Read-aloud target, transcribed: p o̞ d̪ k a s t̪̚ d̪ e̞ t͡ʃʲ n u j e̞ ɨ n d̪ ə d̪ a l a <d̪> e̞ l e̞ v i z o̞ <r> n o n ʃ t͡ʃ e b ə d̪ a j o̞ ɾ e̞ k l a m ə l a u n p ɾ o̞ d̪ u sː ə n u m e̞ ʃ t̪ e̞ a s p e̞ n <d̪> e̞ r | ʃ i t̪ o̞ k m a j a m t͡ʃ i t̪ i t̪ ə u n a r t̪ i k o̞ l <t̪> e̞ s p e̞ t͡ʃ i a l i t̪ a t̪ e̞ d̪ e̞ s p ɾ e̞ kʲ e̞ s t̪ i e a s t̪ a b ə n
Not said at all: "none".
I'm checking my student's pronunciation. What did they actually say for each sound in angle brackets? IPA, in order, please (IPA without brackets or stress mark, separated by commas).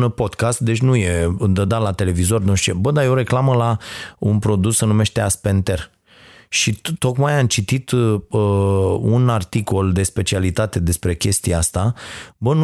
t̪, r, t̪, d̪